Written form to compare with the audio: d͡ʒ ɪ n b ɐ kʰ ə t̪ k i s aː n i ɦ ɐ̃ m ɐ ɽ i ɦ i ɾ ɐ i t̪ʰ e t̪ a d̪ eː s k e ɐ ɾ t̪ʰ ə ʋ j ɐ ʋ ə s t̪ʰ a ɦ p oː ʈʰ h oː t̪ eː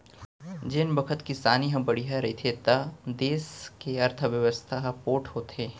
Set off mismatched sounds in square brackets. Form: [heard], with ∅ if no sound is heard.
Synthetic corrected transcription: d͡ʒ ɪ n b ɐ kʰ ə t̪ k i s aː n i ɦ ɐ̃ [b] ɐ ɽ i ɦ [a] ɾ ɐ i t̪ʰ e t̪ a d̪ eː s k e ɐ ɾ t̪ʰ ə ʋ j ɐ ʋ ə s t̪ʰ a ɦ p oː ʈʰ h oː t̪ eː

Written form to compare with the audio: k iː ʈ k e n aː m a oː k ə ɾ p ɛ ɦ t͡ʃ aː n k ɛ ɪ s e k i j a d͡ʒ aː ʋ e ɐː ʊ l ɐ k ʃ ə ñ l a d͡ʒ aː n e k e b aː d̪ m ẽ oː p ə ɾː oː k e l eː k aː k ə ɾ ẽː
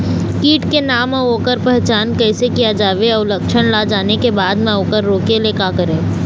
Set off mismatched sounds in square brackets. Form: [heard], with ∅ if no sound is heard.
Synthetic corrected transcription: k iː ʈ k e n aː m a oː k ə ɾ p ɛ ɦ t͡ʃ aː n k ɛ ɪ s e k i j a d͡ʒ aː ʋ e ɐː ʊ l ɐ k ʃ ə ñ l a d͡ʒ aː n e k e b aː d̪ m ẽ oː [k] ə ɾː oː k e l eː k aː k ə ɾ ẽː

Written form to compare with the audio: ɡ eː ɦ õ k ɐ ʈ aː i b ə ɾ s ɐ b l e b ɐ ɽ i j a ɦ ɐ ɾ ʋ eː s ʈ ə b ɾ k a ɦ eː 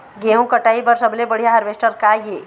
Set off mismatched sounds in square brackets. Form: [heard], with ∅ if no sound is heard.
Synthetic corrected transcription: ɡ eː ɦ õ k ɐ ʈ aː i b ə ɾ s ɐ b l e b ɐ ɽ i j a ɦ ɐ ɾ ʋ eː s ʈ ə [∅] ɾ k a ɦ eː

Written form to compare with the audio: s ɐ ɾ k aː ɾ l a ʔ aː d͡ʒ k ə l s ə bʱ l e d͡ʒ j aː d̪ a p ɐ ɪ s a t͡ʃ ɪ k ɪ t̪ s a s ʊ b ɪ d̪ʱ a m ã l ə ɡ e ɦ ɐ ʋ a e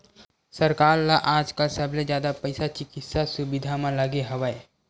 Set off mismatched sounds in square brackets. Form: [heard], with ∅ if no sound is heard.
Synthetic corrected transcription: s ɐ ɾ k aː ɾ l a ʔ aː d͡ʒ k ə l s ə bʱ l e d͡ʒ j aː d̪ a p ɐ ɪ s a t͡ʃ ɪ k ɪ t̪ s a s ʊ b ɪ d̪ʱ a m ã l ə ɡ e ɦ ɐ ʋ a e

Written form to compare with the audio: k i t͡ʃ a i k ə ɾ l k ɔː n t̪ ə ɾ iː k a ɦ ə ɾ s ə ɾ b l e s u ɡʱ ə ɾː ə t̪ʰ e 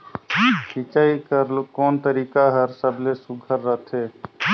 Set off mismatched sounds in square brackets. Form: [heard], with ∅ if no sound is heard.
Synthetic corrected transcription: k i t͡ʃ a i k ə ɾ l k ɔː n t̪ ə ɾ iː k a ɦ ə ɾ s ə [∅] b l e s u ɡʱ ə ɾː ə t̪ʰ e

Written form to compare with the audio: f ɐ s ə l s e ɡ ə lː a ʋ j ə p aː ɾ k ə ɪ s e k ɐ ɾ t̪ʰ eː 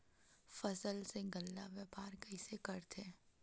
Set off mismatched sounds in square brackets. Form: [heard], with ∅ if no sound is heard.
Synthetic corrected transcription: f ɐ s ə l s e ɡ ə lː a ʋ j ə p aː ɾ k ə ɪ s e k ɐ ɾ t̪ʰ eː

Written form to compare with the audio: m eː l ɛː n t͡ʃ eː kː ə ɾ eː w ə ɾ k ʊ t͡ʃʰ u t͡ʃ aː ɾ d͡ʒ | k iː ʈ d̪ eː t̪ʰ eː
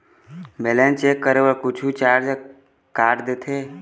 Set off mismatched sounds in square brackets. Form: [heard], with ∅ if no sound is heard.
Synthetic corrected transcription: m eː l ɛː n t͡ʃ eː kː ə ɾ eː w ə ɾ k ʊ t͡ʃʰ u t͡ʃ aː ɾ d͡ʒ | k [aː] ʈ d̪ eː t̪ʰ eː

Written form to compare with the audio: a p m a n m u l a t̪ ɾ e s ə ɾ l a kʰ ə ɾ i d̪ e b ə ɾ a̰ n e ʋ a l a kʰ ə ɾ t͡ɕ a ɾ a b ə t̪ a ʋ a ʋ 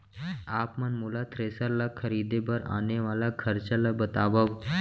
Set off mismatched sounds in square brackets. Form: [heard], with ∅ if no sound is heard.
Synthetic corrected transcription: a p m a n m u l a t̪ ɾ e s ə ɾ l a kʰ ə ɾ i d̪ e b ə ɾ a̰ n e ʋ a l a kʰ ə ɾ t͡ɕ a [l] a b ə t̪ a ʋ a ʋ

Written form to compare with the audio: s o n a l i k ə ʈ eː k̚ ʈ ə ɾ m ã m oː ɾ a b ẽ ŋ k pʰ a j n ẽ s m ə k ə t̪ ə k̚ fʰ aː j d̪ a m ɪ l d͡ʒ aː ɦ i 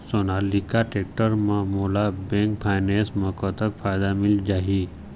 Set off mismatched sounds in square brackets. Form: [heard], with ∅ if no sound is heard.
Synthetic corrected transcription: s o n a l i k [a] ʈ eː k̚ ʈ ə ɾ m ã m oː [l] a b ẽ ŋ k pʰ a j n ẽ s m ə k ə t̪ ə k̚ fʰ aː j d̪ a m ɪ l d͡ʒ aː ɦ i

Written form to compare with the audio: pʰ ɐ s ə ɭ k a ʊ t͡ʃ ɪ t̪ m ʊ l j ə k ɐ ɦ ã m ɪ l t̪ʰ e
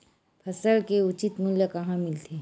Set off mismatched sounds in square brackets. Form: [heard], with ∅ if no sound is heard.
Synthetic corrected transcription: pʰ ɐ s ə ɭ k [e] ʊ t͡ʃ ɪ t̪ m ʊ l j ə k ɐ ɦ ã m ɪ l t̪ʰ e

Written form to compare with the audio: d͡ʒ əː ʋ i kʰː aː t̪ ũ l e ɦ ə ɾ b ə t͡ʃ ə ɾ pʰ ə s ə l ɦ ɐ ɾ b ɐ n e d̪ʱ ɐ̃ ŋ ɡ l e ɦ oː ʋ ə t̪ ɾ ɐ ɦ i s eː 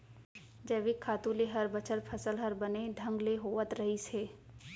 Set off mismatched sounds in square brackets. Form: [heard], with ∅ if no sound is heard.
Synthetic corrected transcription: d͡ʒ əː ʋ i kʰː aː t̪ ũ l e ɦ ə ɾ b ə t͡ʃ ə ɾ pʰ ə s ə l ɦ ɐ ɾ b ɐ n e d̪ʱ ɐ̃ ŋ ɡ l e ɦ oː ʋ ə t̪ ɾ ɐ ɦ i s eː

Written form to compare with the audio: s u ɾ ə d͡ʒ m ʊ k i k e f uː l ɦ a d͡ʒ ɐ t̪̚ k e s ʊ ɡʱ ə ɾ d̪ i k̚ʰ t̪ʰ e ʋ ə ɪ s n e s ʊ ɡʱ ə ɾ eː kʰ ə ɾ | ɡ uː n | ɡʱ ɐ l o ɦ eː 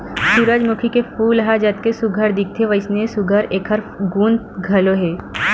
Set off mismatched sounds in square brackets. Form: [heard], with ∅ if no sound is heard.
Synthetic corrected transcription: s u ɾ ə d͡ʒ m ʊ [kʰ] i k e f uː l ɦ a d͡ʒ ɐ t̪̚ k e s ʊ ɡʱ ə ɾ d̪ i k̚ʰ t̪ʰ e ʋ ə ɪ s n e s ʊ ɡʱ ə ɾ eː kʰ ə ɾ | ɡ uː n | ɡʱ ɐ l o ɦ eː

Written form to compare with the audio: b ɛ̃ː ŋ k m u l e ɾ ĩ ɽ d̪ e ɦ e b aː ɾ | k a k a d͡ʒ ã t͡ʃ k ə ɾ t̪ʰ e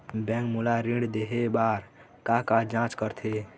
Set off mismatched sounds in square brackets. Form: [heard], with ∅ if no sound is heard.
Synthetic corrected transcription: b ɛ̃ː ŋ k m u l [a] ɾ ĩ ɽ d̪ e ɦ e b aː ɾ | k a k a d͡ʒ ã t͡ʃ k ə ɾ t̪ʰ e

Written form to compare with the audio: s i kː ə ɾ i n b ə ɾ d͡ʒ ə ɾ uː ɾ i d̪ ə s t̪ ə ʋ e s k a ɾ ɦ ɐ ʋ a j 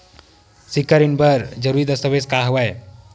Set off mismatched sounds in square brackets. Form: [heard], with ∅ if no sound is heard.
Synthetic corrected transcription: s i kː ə ɾ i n b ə ɾ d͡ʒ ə ɾ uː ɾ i d̪ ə s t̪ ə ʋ e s k a [∅] ɦ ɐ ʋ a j

